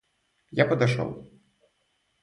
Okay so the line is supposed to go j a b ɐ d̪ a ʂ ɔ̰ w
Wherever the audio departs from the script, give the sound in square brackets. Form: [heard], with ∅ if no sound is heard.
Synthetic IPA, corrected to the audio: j a [p] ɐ d̪ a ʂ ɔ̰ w